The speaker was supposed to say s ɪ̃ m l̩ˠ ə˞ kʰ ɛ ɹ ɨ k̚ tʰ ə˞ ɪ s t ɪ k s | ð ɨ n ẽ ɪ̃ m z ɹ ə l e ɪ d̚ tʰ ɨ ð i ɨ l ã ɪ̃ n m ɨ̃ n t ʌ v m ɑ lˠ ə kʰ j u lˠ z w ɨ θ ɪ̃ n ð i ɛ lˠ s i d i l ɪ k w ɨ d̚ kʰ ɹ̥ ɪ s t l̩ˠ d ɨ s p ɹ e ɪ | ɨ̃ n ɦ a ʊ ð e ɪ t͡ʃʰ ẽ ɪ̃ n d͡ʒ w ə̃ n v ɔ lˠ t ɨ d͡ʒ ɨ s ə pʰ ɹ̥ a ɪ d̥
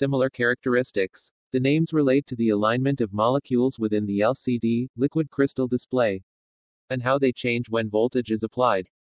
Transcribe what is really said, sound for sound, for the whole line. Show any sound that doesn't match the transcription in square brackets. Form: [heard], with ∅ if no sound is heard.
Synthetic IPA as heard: s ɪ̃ m l̩ˠ ə˞ kʰ ɛ ɹ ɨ k̚ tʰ ə˞ ɪ s t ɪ k s | ð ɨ n ẽ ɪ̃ m z ɹ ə l e ɪ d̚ tʰ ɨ ð i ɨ l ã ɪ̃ n m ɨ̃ n t ʌ v m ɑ lˠ ə kʰ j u lˠ z w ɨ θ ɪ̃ n ð i ɛ lˠ s i d i l ɪ k w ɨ d̚ kʰ ɹ̥ ɪ s t l̩ˠ d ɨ s p [l] e ɪ | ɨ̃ n ɦ a ʊ ð e ɪ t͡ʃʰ ẽ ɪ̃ n d͡ʒ w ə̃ n v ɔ lˠ t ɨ d͡ʒ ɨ [z] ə pʰ [l̥] a ɪ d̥